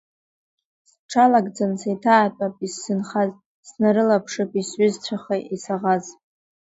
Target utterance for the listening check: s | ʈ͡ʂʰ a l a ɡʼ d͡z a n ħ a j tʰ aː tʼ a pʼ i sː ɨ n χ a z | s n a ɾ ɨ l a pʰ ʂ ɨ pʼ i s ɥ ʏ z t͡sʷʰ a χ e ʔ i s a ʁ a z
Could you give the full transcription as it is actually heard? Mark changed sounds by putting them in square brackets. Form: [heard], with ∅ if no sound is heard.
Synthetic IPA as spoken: s | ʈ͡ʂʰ a l a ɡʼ d͡z a n [s] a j tʰ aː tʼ a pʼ i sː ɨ n χ a z | s n a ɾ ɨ l a pʰ ʂ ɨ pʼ i s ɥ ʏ z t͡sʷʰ a χ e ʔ i s a ʁ a z